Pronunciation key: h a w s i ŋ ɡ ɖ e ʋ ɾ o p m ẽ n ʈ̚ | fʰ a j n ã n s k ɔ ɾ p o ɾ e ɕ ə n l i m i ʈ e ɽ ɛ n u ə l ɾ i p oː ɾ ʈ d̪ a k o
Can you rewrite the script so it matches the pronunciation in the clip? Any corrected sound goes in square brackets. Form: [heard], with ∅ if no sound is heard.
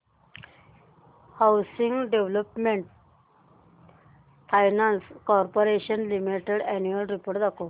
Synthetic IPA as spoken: h a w s i ŋ ɡ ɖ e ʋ [l] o p m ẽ [ɳ] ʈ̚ | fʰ a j n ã n s k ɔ ɾ p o ɾ e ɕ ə n l i m i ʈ e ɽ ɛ n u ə l ɾ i p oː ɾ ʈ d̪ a k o